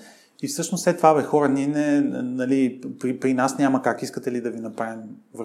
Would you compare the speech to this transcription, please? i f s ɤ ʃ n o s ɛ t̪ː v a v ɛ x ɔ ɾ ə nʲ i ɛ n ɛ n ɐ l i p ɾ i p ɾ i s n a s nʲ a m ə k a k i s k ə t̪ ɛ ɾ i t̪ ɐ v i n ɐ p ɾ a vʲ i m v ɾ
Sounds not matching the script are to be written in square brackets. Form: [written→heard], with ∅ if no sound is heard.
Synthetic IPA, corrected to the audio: i f s ɤ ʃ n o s ɛ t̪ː v a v ɛ x ɔ ɾ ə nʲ i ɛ n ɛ n ɐ l i p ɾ i p ɾ i [s→∅] n a s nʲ a m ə k a k i s k ə t̪ ɛ [ɾ→l] i [t̪→d̪] ɐ v i n ɐ p ɾ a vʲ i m v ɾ